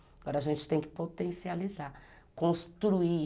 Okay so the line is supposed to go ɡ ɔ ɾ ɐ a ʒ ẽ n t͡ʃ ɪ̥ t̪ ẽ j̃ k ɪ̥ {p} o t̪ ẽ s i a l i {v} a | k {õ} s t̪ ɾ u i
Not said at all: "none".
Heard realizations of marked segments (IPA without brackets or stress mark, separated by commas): p, z, õ